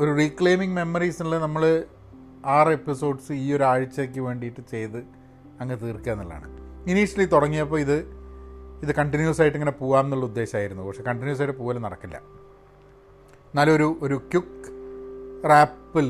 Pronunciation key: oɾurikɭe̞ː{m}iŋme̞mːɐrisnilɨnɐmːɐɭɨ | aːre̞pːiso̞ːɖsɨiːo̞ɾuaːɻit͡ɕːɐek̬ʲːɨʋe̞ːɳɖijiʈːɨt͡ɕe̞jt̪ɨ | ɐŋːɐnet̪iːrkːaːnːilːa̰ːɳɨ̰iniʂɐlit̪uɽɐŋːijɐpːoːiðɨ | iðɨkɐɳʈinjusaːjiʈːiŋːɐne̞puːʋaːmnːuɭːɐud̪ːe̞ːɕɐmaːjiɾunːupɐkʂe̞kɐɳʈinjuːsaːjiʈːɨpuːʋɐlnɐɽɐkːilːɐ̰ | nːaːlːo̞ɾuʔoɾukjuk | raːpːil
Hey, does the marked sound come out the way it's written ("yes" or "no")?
yes